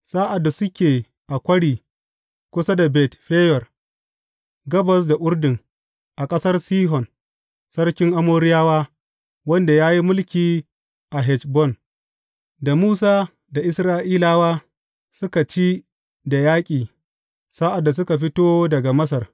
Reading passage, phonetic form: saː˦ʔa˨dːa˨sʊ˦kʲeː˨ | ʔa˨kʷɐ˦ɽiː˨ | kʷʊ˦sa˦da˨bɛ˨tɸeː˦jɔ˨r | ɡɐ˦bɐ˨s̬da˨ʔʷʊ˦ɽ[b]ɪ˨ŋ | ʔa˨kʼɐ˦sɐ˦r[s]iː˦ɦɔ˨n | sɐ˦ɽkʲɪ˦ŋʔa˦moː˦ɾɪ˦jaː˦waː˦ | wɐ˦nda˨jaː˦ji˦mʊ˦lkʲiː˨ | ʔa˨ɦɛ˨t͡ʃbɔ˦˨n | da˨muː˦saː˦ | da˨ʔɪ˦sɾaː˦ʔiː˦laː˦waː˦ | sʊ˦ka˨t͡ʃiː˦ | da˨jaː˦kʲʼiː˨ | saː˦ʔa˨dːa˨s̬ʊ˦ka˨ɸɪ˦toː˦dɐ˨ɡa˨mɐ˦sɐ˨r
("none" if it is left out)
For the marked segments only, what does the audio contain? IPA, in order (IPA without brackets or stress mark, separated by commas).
d, s